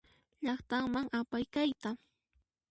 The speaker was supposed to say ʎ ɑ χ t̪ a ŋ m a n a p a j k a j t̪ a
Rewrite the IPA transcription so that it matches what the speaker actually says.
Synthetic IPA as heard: ʎ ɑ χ t̪ a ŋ m a ŋ a p a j k a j t̪ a

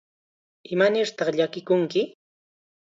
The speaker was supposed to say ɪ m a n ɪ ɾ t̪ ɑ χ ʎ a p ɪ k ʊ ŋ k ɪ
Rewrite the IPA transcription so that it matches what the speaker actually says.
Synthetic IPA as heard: ɪ m a n ɪ ɾ t̪ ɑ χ ʎ a k ɪ k ʊ ŋ k ɪ

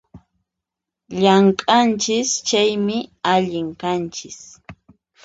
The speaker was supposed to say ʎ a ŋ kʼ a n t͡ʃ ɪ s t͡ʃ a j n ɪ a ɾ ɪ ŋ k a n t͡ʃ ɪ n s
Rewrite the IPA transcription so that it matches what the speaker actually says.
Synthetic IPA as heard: ʎ a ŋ kʼ a n t͡ʃ ɪ s t͡ʃ a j m ɪ a ʎ ɪ ŋ k a n t͡ʃ ɪ s

